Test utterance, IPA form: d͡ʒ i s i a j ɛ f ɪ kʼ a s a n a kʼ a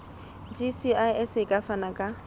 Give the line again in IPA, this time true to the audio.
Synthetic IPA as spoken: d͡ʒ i s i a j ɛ s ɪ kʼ a f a n a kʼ a